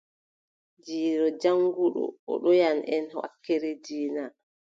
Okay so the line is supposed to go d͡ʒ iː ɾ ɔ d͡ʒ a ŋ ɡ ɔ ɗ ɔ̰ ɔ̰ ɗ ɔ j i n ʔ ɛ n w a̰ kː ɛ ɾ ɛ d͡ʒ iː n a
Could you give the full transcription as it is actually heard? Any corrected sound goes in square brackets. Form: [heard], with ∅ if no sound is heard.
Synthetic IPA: d͡ʒ iː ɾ ɔ d͡ʒ a ŋ ɡ [u] ɗ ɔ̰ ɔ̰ ɗ ɔ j [a] n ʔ ɛ n w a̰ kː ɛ ɾ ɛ d͡ʒ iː n a